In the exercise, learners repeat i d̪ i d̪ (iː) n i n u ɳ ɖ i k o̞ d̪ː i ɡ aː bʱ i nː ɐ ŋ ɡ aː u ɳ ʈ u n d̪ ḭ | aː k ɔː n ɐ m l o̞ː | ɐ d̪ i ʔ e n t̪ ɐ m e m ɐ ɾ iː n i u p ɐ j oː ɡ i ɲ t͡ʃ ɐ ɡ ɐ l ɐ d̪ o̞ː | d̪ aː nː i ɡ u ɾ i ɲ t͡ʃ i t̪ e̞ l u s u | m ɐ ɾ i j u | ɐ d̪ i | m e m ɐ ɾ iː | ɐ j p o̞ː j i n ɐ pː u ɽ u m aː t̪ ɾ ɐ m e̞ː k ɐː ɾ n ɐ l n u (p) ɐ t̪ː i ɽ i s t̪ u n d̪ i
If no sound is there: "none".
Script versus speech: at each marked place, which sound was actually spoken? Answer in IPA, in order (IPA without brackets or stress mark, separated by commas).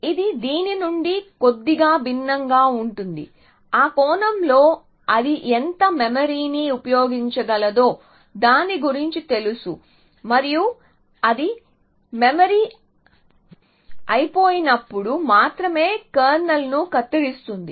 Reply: iː, k